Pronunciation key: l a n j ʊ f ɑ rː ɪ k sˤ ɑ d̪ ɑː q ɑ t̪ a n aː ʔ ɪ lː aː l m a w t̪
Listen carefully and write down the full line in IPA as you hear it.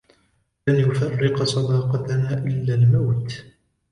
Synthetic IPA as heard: l a n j ʊ f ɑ rː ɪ q sˤ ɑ d̪ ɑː q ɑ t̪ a n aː ʔ ɪ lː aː l m a w t̪